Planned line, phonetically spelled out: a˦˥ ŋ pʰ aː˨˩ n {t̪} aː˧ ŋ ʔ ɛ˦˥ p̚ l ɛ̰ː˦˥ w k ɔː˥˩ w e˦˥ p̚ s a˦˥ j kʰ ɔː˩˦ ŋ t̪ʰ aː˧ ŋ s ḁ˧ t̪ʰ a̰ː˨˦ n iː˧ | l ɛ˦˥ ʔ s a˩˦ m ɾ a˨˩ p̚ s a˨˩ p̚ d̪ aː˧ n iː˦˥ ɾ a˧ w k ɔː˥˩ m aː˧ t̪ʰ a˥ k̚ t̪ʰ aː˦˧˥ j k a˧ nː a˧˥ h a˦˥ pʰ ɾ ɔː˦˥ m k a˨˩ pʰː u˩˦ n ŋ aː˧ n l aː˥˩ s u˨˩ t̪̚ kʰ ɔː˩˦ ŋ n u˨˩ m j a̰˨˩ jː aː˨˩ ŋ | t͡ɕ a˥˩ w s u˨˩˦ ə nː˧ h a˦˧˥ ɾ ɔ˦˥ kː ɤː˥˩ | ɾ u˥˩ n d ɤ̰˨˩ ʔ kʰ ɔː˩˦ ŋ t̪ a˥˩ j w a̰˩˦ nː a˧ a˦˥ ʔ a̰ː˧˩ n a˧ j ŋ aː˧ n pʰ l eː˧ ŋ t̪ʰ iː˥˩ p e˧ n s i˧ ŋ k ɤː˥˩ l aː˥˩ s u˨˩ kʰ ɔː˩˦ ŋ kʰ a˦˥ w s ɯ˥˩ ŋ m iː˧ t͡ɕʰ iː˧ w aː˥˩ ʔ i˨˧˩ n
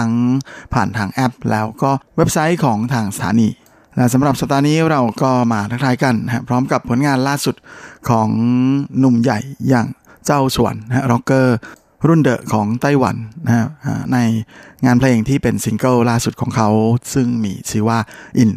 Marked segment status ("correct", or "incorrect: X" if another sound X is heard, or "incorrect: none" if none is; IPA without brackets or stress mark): incorrect: t̪ʰ